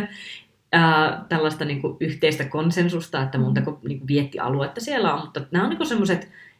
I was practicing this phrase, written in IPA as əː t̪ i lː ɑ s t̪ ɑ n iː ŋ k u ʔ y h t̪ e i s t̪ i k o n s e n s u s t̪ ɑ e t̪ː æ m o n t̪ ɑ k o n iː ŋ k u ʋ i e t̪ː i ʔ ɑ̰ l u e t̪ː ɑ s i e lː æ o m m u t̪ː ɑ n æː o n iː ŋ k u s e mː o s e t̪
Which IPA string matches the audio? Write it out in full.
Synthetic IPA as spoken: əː t̪ æ lː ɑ s t̪ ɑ n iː ŋ k u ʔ y h t̪ e i s t̪ æ k o n s e n s u s t̪ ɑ e t̪ː æ m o n t̪ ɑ k o n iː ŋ k u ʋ i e t̪ː i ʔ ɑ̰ l u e t̪ː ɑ s i e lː æ o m m u t̪ː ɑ n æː o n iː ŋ k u s e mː o s e t̪